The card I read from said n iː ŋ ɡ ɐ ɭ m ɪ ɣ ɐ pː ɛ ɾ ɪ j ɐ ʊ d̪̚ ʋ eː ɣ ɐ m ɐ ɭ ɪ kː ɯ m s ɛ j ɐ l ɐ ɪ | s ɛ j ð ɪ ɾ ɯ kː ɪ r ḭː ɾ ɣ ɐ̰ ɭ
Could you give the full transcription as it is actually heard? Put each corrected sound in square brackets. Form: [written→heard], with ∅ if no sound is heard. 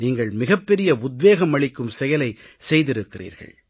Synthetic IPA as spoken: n iː ŋ ɡ ɐ ɭ m ɪ ɣ ɐ pː ɛ ɾ ɪ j ɐ ʊ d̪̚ ʋ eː ɣ ɐ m ɐ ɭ ɪ kː ɯ m s ɛ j ɐ l ɐ ɪ | s ɛ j ð ɪ ɾ ɯ kː ɪ r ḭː ɾ ɣ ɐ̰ ɭ